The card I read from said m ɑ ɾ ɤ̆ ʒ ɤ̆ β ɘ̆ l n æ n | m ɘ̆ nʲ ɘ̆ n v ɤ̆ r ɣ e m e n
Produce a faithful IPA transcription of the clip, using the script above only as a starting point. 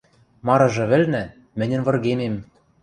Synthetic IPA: m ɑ ɾ ɤ̆ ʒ ɤ̆ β ɘ̆ l n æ | m ɘ̆ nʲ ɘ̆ n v ɤ̆ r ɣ e m e m